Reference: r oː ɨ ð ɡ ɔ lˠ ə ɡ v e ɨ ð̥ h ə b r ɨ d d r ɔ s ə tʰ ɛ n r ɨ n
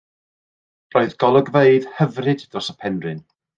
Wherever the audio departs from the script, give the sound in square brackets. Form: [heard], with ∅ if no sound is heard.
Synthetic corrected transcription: r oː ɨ ð ɡ ɔ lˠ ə ɡ v e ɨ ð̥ h ə [v] r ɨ d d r ɔ s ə [pʰ] ɛ n r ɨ n